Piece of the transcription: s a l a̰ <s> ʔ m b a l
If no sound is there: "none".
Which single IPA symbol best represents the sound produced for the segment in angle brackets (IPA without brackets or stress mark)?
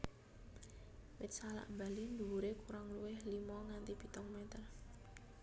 none